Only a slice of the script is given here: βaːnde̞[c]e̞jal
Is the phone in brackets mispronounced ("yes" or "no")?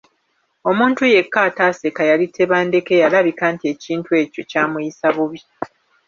yes